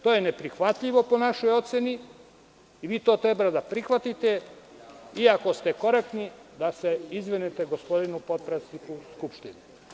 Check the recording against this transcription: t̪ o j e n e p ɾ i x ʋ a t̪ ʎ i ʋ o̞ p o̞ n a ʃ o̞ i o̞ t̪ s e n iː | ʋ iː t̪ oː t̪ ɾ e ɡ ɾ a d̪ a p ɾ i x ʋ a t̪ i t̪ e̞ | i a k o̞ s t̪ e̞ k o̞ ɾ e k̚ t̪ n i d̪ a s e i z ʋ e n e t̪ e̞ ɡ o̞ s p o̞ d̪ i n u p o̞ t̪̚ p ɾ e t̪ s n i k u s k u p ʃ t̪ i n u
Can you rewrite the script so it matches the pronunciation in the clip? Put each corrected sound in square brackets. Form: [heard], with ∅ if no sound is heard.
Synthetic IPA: t̪ o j e n e p ɾ i x ʋ a t̪ ʎ i ʋ o̞ p o̞ n a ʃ o̞ [j] o̞ t̪ s e n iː | ʋ iː t̪ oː t̪ ɾ e [b] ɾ a d̪ a p ɾ i x ʋ a t̪ i t̪ e̞ | i a k o̞ s t̪ e̞ k o̞ ɾ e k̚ t̪ n i d̪ a s e i z ʋ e n e t̪ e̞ ɡ o̞ s p o̞ d̪ i n u p o̞ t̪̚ p ɾ e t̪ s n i k u s k u p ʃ t̪ i n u